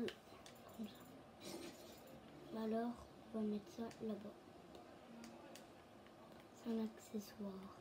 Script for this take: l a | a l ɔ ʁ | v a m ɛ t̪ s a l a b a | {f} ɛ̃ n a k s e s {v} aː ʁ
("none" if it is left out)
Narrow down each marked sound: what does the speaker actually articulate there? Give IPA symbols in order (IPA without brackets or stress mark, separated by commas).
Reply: s, w